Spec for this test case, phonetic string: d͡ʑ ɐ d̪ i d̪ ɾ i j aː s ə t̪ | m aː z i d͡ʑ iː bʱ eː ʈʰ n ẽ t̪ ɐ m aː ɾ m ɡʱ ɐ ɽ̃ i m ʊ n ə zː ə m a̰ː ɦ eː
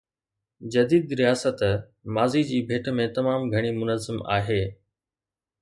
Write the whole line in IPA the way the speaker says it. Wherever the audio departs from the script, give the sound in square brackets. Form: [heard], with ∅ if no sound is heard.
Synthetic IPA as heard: d͡ʑ ɐ d̪ [iː] d̪ ɾ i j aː s ə t̪ | m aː z i d͡ʑ iː bʱ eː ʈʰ [m] ẽ t̪ ɐ m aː [∅] m ɡʱ ɐ ɽ̃ i m ʊ n ə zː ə m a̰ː ɦ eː